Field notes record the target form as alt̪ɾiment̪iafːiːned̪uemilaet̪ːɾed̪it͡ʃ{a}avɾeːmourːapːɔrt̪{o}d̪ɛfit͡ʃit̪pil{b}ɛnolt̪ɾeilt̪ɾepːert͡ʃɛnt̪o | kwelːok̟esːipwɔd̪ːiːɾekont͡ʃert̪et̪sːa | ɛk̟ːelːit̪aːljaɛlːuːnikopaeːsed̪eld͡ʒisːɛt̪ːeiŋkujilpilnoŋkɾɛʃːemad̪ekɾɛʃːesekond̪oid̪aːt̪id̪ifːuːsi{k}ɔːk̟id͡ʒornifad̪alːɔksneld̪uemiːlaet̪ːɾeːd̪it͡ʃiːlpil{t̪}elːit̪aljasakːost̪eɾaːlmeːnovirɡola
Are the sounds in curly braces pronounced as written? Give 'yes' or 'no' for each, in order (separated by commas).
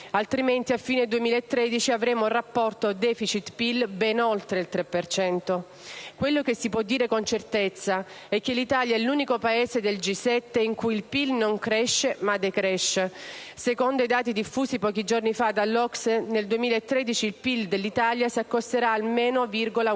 no, yes, yes, no, no